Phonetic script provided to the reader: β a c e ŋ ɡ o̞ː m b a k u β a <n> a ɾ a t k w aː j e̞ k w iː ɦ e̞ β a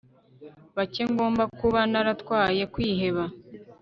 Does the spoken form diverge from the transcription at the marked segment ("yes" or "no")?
no